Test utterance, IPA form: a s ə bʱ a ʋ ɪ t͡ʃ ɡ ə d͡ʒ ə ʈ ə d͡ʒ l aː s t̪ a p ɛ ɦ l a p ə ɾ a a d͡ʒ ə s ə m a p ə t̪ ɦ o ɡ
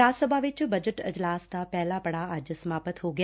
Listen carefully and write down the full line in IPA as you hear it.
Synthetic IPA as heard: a s ə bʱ a ʋ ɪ t͡ʃ b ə d͡ʒ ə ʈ ə d͡ʒ l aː s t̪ a p ɛ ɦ l a p ə ɽ a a d͡ʒ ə s ə m a p ə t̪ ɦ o ɡ